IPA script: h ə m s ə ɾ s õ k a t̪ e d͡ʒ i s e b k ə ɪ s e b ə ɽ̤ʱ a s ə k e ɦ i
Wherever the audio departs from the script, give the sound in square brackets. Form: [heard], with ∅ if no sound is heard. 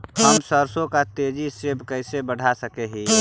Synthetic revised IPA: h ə m s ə ɾ s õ k a t̪ e d͡ʒ i s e b k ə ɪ s e b ə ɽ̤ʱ a s ə k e ɦ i